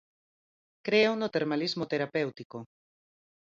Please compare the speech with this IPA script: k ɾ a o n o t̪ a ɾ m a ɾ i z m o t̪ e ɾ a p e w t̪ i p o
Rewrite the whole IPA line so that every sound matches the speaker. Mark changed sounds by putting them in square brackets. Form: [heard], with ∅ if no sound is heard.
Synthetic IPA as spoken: k ɾ [e] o n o t̪ [e] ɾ m a [l] i z m o t̪ e ɾ a p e w t̪ i [k] o